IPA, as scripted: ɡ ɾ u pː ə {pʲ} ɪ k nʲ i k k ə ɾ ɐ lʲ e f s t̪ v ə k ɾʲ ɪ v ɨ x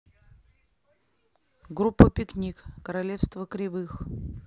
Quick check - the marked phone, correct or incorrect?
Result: correct